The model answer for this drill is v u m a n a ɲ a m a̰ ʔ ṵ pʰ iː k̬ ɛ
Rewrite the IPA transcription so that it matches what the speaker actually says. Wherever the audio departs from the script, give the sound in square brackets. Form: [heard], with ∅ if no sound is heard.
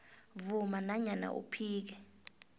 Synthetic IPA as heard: v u m a n a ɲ a [n] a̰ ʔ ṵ pʰ iː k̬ ɛ